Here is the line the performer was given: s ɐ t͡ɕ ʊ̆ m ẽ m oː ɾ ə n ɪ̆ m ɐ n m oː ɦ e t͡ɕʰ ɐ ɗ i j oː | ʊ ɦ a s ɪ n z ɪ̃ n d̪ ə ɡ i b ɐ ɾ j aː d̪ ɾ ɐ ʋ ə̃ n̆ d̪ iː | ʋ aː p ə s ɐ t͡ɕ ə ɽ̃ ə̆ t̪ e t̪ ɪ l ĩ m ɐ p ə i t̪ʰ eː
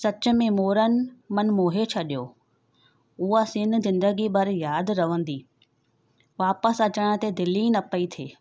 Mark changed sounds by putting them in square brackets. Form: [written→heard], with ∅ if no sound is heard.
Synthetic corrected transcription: s ɐ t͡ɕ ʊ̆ m ẽ m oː ɾ ə n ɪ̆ m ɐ n m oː ɦ e t͡ɕʰ ɐ ɗ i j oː | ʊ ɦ a s ɪ n z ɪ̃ n d̪ ə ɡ i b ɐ ɾ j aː d̪ ɾ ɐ ʋ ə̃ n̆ d̪ iː | ʋ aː p ə s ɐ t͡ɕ ə ɽ̃ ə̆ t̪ e [t̪→d̪] ɪ l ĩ [m→n] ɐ p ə i t̪ʰ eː